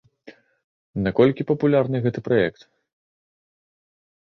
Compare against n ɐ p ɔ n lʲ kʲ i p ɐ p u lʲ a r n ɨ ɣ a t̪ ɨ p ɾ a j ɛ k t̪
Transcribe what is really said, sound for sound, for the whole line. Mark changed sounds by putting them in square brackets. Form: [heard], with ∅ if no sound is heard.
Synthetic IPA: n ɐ [k] ɔ [∅] lʲ kʲ i p ɐ p u lʲ a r n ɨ ɣ [ɛ] t̪ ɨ p ɾ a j ɛ k t̪